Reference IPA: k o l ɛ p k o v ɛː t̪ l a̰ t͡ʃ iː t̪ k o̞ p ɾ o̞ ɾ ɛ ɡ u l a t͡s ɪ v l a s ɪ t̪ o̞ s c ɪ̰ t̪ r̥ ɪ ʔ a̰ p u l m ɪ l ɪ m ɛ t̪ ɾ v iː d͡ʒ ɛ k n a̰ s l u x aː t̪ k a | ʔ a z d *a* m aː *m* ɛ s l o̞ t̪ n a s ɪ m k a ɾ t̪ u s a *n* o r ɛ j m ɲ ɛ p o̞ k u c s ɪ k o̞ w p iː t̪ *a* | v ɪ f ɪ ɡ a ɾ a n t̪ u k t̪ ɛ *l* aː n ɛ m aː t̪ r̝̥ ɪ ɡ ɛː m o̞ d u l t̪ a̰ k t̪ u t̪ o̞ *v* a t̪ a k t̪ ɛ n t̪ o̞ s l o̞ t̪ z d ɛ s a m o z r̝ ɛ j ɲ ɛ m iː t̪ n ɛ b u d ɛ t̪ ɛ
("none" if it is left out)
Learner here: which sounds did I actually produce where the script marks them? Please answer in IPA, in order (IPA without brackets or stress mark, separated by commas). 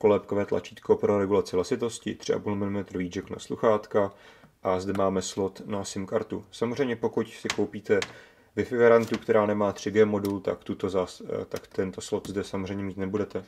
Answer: ɛ, m, m, ɛ, ɾ, z